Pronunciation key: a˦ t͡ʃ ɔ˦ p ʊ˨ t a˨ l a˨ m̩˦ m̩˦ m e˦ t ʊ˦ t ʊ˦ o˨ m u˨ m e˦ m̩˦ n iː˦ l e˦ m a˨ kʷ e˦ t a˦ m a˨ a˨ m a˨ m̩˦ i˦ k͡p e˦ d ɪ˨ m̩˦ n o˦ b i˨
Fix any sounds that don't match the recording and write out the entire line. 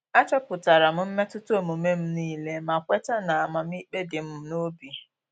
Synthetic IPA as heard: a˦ t͡ʃ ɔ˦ p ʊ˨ t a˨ ɾ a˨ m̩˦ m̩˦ m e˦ t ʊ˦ t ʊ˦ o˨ m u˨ m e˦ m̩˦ n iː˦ l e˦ m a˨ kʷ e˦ t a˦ n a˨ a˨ m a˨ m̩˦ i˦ k͡p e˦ d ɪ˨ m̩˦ n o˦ b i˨